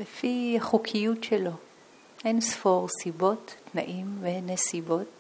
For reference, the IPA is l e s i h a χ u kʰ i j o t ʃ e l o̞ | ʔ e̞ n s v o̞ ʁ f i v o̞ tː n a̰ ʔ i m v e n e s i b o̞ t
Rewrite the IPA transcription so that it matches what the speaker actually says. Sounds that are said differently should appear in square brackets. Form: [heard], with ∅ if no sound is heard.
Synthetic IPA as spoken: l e [f] i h a χ u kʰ i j [u] t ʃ e l o̞ | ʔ e̞ n s [f] o̞ ʁ [s] i [b] o̞ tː n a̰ ʔ i m v e n e s i b o̞ t